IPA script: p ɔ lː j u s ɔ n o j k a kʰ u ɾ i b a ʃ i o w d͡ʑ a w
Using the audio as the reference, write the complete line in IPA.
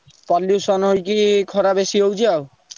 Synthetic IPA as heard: p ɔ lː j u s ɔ n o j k i kʰ ɔ ɾ a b e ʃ i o w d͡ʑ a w